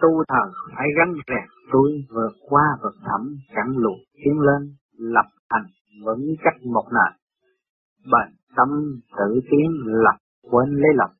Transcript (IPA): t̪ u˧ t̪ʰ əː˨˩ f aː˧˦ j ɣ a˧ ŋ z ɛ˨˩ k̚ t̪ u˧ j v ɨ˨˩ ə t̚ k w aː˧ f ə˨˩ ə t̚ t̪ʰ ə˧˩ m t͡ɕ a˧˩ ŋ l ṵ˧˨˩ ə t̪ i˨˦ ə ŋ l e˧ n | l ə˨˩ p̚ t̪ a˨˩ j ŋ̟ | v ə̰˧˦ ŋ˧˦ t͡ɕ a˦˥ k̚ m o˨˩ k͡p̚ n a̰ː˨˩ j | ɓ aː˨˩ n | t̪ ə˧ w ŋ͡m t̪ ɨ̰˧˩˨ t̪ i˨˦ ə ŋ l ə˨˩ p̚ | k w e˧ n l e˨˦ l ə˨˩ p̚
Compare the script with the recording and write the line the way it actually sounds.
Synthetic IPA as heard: t̪ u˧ t̪ʰ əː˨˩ f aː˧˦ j ɣ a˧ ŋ z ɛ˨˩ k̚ t̪ u˧ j v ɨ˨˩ ə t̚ k w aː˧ v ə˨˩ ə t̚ t̪ʰ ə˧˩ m t͡ɕ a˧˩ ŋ l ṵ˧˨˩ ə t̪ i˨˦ ə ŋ l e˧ n | l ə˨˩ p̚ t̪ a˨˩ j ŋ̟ | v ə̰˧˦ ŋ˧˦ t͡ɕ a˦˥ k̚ m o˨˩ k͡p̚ n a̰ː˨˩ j | ɓ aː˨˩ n | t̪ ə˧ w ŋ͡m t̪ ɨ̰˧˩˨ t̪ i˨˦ ə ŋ l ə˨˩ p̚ | k w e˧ n l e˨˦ l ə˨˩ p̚